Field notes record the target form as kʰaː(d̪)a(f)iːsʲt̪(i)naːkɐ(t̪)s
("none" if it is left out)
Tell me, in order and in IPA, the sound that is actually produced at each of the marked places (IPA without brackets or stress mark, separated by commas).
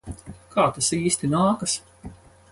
t̪, s, i, none